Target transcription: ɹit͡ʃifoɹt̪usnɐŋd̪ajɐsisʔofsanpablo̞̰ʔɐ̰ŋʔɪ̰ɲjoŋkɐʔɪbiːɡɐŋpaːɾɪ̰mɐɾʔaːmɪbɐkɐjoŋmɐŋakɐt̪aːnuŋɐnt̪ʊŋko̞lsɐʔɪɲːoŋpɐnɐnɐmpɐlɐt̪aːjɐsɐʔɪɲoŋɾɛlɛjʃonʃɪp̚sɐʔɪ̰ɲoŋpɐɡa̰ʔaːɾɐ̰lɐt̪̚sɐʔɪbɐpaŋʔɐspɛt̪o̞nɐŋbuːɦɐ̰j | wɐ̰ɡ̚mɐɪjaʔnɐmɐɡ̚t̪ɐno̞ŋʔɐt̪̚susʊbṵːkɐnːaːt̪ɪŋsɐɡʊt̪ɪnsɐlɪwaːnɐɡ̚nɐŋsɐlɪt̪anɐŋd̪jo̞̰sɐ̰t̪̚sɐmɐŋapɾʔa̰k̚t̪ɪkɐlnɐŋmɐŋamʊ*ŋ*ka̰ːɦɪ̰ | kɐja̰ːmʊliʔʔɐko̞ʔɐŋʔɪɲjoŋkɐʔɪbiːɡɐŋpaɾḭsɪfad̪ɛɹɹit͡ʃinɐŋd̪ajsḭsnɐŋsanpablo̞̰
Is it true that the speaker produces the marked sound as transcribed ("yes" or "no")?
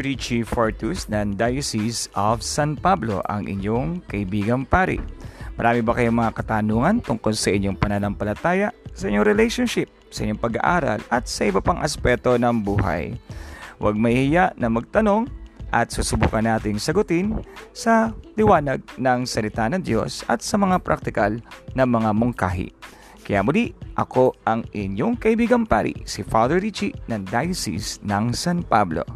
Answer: yes